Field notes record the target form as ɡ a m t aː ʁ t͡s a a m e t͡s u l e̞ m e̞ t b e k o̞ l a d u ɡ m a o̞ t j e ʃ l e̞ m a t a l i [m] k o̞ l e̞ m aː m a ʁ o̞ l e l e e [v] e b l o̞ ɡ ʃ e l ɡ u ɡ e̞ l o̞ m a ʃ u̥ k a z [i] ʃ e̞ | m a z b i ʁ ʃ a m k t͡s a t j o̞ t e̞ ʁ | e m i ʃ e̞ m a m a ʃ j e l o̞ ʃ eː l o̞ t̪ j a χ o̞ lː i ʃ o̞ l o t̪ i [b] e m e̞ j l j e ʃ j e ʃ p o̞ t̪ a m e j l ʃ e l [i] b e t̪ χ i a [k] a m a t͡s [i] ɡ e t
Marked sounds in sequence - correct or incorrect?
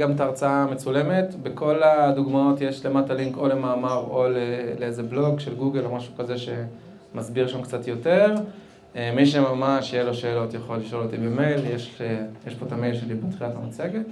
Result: incorrect: ŋ, incorrect: z, incorrect: e, correct, correct, incorrect: t, incorrect: e

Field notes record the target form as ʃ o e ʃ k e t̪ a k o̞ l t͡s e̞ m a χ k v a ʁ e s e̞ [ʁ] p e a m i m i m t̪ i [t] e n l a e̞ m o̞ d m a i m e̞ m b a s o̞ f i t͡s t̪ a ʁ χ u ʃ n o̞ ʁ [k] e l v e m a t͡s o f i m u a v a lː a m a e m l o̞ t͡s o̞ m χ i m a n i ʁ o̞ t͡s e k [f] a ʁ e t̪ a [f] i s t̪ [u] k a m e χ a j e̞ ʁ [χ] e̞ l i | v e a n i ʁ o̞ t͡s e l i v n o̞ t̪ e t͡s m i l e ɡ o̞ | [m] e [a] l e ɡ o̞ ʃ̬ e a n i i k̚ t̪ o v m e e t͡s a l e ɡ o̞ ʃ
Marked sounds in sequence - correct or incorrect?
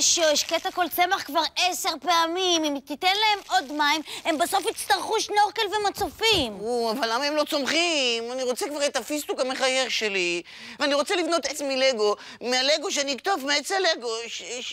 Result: correct, correct, correct, incorrect: v, correct, correct, incorrect: ʃ, correct, correct

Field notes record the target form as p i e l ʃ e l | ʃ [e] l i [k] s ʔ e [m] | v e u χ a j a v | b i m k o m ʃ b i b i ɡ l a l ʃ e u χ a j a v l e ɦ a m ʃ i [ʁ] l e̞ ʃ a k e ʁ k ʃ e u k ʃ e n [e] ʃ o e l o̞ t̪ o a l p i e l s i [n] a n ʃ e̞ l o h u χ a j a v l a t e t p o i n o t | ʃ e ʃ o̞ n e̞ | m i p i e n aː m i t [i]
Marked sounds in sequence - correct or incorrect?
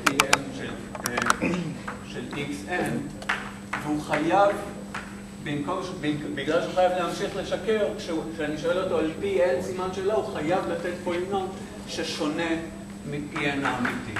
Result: correct, correct, incorrect: n, incorrect: χ, incorrect: i, incorrect: m, correct

